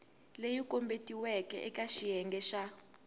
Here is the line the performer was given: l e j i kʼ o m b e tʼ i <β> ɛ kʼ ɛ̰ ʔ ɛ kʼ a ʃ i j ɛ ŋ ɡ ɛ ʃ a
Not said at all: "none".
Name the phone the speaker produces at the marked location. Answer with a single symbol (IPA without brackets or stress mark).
w